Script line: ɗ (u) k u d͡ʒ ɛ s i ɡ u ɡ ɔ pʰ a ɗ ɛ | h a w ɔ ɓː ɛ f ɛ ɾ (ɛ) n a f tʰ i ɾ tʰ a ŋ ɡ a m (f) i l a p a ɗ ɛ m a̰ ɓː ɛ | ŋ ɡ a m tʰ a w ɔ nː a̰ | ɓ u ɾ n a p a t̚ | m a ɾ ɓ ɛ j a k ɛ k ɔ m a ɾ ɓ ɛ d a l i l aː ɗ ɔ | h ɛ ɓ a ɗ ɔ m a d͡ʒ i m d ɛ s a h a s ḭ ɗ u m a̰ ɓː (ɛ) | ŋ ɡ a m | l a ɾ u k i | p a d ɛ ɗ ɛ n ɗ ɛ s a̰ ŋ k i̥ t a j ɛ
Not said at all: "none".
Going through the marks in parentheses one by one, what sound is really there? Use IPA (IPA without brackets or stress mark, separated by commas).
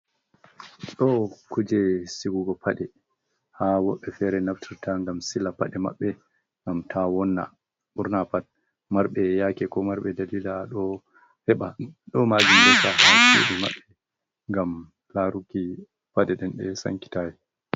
ɔ, ɛ, s, ɛ